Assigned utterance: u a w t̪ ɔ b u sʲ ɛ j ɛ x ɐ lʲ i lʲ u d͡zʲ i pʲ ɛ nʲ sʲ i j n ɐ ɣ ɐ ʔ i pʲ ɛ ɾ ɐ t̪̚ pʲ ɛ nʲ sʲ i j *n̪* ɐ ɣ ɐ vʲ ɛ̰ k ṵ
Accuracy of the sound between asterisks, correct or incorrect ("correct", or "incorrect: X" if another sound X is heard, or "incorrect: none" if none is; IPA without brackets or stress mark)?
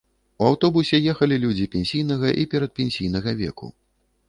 correct